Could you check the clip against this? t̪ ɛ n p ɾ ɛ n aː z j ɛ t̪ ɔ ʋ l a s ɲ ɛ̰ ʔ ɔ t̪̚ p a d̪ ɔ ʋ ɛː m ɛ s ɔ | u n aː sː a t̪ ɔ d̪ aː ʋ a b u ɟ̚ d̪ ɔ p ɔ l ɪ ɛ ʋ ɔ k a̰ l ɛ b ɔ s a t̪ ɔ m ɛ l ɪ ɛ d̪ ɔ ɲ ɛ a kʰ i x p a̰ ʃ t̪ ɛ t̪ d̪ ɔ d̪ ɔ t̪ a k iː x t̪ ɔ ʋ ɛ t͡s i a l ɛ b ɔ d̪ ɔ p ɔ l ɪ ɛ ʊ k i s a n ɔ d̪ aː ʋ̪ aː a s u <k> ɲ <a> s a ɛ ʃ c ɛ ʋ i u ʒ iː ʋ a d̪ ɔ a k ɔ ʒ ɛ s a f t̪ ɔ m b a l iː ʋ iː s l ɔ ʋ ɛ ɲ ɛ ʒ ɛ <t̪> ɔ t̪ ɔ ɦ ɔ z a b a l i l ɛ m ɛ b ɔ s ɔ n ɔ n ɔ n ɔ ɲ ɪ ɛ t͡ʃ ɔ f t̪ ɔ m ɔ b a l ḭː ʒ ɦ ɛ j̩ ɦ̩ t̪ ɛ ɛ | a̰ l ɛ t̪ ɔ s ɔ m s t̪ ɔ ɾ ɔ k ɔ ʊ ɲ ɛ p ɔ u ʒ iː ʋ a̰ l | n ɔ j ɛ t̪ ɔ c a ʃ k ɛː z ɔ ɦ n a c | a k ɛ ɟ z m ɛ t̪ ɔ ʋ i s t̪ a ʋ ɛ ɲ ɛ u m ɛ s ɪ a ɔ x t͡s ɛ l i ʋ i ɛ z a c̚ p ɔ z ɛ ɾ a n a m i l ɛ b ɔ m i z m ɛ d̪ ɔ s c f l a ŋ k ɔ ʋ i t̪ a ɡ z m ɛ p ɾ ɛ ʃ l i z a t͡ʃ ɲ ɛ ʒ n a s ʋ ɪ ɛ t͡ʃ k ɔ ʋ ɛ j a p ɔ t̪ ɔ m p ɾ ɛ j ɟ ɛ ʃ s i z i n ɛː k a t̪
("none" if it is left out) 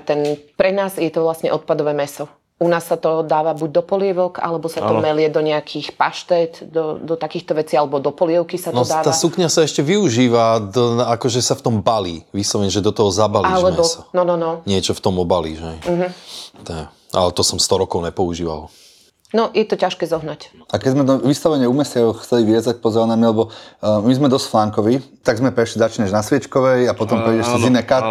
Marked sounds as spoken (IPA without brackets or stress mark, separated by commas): k, a, d̪